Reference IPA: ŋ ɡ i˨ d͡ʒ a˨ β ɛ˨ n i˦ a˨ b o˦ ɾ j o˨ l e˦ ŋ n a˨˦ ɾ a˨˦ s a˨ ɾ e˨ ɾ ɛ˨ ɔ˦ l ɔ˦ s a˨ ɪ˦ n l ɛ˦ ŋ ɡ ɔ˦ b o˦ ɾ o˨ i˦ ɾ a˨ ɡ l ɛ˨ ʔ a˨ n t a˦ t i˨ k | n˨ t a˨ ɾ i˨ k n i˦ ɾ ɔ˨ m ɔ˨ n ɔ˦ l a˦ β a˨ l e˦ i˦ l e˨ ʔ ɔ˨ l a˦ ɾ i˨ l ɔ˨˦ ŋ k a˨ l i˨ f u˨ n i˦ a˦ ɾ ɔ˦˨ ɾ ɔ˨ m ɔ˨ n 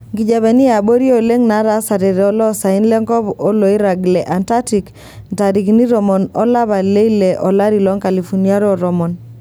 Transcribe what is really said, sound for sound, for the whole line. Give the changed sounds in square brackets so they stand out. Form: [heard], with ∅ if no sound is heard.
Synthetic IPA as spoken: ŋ ɡ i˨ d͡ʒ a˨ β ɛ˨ n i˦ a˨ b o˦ ɾ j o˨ l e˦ ŋ n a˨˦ ɾ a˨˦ s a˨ ɾ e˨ ɾ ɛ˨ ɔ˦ l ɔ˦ s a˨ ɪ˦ n l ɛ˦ ŋ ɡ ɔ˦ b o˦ [l] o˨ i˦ ɾ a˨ ɡ l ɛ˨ ʔ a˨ n t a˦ t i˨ k | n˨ t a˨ ɾ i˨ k n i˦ ɾ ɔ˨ m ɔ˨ n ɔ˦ l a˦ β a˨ l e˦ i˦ l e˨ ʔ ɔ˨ l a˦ ɾ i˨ l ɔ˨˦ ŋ k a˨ l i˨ f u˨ n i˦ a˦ ɾ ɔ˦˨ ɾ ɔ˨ m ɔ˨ n

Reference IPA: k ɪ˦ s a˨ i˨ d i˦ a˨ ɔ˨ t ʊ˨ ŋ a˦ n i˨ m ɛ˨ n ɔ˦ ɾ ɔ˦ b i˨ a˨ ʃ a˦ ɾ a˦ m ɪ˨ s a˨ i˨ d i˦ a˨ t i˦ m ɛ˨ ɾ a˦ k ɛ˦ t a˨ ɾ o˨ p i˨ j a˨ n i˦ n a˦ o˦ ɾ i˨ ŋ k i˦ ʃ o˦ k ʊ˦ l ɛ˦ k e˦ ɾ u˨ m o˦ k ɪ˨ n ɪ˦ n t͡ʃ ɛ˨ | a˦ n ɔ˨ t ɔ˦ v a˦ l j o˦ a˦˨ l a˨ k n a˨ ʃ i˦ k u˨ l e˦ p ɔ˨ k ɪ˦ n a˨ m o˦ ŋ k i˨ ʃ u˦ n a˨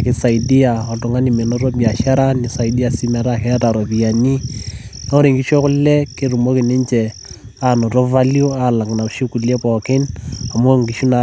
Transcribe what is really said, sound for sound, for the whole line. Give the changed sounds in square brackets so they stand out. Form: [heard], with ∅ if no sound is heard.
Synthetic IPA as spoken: k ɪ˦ s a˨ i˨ d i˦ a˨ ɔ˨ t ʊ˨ ŋ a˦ n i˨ m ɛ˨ n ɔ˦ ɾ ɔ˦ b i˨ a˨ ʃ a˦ ɾ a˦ [n] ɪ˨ s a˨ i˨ d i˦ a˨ [s] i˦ m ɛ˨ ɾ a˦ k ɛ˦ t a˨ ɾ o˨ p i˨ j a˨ n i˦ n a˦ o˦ ɾ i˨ ŋ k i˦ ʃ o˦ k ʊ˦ l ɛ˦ k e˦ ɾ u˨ m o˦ k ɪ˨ n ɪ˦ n t͡ʃ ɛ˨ | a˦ n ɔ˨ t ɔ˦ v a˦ l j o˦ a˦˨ l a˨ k n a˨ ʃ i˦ k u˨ l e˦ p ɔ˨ k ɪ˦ n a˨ m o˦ ŋ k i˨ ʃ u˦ n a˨

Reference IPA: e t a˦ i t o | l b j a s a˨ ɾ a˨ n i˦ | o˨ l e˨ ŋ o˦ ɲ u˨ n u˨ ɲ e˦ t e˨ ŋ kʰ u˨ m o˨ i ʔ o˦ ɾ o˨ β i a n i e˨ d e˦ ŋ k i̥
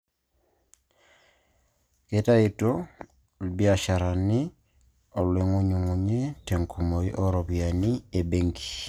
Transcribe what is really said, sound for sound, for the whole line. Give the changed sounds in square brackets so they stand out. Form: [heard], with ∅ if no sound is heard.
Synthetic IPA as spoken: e t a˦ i t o | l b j a [ʃ] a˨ ɾ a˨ n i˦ | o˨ l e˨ ŋ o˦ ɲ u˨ [ŋ] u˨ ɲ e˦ t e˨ ŋ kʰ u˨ m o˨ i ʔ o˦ ɾ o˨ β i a n i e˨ [b] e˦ ŋ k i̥

